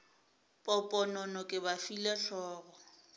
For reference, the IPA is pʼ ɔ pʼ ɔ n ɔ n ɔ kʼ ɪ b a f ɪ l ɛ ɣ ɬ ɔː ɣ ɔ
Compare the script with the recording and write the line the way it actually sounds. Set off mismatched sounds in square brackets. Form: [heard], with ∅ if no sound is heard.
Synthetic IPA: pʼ ɔ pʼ ɔ n ɔ n ɔ kʼ ɪ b a f [i] l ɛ [∅] ɬ ɔː ɣ ɔ